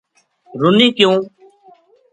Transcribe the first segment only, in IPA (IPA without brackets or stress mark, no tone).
ɾ